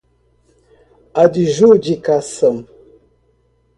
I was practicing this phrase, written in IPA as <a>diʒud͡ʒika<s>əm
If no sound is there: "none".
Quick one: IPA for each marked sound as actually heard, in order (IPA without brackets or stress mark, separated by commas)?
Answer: a, s